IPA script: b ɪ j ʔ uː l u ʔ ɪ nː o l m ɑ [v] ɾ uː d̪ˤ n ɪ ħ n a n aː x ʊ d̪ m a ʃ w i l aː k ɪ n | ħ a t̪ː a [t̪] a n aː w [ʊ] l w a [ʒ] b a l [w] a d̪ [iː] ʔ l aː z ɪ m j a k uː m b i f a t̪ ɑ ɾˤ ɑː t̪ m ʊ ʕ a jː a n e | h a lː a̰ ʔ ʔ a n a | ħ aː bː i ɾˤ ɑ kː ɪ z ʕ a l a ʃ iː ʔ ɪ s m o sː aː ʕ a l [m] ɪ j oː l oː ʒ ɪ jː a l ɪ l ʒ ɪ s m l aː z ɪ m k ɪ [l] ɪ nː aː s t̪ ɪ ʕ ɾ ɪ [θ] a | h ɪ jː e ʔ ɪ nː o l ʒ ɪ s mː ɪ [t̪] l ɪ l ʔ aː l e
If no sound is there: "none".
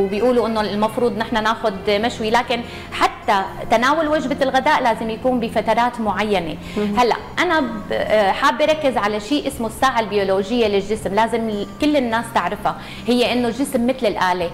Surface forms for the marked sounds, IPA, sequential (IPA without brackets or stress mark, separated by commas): f, t̪, ʊ, ʒ, ɣ, aː, b, lː, f, t̪